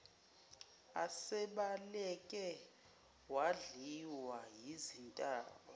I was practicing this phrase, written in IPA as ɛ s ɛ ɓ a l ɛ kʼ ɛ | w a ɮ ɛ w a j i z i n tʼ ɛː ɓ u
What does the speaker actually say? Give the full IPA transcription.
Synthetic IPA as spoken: a s ɛ ɓ a l ɛ kʼ ɛ | w a ɮ i w a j i z i n tʼ aː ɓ ɔ